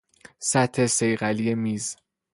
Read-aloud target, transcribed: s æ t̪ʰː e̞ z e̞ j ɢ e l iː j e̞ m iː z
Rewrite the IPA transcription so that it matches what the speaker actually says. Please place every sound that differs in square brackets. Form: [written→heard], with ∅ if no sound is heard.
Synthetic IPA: s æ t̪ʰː e̞ [z→s] e̞ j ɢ [e→æ] l [iː→i] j e̞ m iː z